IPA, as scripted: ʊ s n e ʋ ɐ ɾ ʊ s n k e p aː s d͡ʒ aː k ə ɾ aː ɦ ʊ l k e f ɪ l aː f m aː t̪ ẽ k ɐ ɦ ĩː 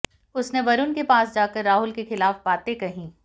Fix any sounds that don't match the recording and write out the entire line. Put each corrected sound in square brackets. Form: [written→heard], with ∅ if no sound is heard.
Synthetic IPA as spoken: ʊ s n e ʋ ɐ ɾ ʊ [s→∅] n k e p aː s d͡ʒ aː k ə [ɾ→ɾː] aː ɦ ʊ l k e [f→x] ɪ l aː f [m→b] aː t̪ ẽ k ɐ ɦ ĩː